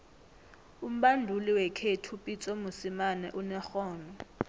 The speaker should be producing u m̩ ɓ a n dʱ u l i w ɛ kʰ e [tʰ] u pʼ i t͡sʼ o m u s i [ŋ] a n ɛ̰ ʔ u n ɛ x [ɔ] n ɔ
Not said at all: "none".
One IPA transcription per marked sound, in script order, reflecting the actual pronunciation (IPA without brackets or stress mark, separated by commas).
tʰ, m, ɔː